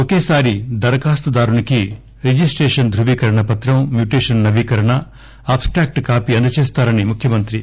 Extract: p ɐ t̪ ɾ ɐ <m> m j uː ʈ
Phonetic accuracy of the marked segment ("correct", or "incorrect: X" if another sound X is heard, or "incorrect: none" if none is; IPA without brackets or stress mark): correct